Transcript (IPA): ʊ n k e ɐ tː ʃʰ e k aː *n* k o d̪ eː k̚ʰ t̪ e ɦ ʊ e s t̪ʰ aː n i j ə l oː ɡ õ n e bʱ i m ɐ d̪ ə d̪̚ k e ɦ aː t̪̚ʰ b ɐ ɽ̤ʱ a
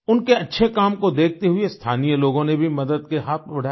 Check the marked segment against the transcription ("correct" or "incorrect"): incorrect